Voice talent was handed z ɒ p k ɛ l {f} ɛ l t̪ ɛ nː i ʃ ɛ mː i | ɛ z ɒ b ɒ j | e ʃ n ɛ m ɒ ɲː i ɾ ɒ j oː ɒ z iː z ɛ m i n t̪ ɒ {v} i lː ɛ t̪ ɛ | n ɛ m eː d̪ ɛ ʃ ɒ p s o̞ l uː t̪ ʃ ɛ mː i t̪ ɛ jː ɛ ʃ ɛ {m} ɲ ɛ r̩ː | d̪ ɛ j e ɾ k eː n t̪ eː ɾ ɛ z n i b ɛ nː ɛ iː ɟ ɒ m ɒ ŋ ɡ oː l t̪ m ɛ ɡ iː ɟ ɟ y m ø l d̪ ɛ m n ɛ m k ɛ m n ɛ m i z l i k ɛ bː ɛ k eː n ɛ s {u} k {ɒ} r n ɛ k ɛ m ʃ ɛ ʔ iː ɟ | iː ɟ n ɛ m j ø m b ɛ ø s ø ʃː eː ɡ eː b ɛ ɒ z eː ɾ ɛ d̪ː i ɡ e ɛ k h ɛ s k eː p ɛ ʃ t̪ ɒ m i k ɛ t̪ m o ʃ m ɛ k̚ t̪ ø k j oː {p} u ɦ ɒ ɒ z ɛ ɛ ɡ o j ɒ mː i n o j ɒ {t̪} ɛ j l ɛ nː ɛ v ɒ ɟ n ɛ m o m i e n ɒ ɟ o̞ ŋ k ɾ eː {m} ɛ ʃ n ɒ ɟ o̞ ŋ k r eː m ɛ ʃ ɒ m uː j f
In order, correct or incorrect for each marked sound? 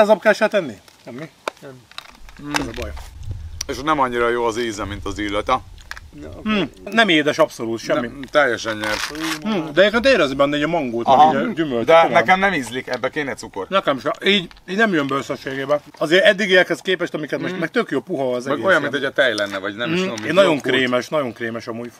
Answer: incorrect, incorrect, incorrect, correct, incorrect, correct, correct, correct

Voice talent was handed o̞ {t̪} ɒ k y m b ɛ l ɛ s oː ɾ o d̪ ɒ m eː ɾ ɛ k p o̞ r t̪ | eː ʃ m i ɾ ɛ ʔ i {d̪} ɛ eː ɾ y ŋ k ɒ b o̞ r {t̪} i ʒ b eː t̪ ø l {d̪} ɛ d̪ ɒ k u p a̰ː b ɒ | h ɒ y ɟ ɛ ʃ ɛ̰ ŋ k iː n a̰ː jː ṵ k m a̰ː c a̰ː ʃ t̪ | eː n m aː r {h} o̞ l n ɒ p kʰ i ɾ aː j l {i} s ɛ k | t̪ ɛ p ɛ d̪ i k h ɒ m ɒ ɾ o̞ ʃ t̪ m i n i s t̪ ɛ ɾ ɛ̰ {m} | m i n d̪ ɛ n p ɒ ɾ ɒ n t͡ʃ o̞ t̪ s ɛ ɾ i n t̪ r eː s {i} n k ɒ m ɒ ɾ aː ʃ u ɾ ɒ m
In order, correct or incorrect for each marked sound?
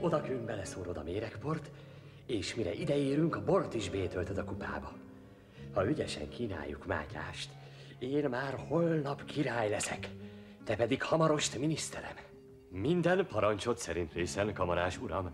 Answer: incorrect, correct, correct, incorrect, correct, incorrect, correct, incorrect

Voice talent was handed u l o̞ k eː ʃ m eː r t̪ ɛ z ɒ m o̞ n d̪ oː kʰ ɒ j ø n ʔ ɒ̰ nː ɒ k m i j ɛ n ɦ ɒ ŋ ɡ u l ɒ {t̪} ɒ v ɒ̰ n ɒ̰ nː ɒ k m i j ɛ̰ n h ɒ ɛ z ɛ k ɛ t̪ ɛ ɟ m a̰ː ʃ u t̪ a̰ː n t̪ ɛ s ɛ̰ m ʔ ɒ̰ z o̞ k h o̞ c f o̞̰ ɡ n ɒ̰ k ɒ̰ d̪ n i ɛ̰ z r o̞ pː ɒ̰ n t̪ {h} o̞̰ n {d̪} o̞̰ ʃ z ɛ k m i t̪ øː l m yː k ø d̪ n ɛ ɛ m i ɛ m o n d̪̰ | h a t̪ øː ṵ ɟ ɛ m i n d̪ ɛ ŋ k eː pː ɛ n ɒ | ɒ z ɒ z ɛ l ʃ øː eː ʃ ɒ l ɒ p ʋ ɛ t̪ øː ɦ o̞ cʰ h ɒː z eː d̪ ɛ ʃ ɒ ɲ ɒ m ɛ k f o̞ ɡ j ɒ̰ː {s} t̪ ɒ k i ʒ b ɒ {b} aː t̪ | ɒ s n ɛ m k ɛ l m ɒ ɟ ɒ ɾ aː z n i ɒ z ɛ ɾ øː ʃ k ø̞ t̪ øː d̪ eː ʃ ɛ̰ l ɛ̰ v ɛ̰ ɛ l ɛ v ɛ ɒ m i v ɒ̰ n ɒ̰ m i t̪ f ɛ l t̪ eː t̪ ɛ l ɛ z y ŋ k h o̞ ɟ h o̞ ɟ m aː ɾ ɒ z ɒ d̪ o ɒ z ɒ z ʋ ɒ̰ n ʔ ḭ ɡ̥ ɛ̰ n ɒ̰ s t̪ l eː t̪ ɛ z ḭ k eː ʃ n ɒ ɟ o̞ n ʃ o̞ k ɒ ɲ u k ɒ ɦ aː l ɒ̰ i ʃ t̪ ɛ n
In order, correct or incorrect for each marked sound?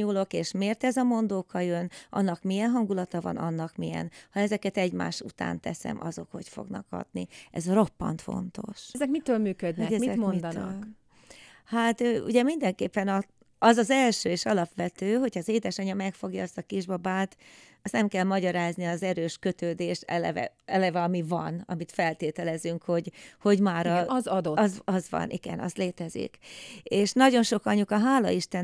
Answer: correct, incorrect, incorrect, correct, correct

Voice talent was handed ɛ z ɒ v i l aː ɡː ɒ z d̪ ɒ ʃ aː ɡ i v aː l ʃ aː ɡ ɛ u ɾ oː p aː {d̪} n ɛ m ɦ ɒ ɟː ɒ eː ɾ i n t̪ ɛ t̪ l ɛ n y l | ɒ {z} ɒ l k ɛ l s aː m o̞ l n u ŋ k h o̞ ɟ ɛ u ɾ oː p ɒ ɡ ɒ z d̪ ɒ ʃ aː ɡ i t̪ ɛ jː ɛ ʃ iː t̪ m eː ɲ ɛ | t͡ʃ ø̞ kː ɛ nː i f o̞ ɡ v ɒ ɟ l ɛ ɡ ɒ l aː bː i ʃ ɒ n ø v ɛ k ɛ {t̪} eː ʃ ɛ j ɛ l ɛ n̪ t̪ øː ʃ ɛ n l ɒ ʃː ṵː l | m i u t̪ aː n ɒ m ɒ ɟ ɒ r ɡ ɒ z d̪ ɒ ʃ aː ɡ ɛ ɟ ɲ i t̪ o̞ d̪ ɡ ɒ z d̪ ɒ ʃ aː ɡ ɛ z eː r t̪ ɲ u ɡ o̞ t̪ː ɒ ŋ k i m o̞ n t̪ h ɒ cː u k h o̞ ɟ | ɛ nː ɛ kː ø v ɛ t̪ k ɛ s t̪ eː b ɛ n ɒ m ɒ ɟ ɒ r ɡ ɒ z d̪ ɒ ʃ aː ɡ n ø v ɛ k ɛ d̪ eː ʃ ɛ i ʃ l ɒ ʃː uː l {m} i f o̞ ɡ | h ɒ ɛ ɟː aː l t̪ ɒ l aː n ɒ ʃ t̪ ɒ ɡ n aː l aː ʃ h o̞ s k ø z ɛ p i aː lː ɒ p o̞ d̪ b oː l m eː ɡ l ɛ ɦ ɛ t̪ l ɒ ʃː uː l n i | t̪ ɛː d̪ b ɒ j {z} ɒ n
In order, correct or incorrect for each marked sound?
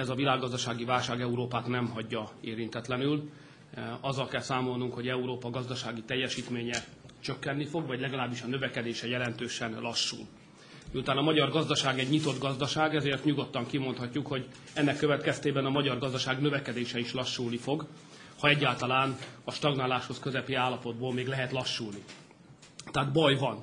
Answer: incorrect, incorrect, incorrect, incorrect, incorrect

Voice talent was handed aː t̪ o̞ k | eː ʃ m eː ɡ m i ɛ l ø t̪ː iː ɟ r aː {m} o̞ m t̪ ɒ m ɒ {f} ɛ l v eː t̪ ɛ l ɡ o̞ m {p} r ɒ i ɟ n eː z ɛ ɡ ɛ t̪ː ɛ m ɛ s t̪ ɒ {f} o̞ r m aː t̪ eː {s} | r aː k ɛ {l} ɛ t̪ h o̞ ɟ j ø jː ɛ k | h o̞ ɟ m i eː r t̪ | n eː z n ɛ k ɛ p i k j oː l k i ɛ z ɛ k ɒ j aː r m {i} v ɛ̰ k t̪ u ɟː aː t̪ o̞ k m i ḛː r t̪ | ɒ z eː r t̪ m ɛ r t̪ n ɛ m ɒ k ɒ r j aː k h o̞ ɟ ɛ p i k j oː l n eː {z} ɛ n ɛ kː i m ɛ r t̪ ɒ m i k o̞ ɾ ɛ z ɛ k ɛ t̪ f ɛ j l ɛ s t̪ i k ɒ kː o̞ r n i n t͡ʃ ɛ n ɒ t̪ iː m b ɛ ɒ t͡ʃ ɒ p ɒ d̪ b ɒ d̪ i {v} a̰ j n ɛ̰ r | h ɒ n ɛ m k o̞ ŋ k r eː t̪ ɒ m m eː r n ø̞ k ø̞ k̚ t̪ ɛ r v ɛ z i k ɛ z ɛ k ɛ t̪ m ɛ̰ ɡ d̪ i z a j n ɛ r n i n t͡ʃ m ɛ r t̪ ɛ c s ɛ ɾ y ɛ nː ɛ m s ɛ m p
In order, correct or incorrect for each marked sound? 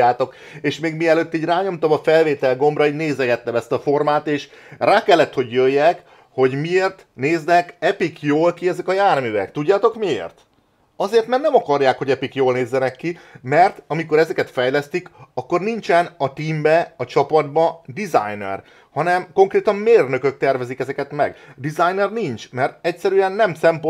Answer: incorrect, correct, incorrect, correct, incorrect, incorrect, incorrect, incorrect, incorrect

